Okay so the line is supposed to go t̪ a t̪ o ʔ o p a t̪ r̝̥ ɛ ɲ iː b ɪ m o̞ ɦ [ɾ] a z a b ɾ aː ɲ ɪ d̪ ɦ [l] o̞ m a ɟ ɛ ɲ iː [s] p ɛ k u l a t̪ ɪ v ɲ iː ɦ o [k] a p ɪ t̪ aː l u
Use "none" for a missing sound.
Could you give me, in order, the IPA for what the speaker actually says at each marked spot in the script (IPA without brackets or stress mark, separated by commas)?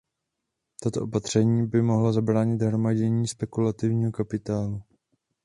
l, ɾ, s, k